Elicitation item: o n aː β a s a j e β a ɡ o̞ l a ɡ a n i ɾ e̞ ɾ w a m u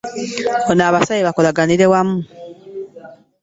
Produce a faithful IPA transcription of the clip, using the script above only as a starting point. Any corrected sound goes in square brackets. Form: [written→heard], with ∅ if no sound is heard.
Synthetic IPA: o n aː β a s a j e β a [ɡ→k] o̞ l a ɡ a n i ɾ e̞ [ɾ→∅] w a m u